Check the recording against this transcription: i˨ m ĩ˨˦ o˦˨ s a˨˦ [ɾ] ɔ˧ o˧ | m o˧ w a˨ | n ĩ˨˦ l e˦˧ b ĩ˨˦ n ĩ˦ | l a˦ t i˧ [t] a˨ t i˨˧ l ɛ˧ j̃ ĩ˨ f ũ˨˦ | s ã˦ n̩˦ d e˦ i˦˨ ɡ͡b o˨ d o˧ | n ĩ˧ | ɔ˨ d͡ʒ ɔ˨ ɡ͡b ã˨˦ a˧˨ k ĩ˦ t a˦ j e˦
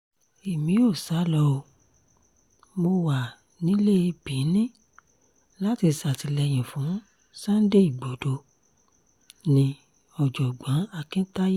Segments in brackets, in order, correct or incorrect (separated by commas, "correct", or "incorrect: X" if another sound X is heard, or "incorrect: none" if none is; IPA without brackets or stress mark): incorrect: l, incorrect: s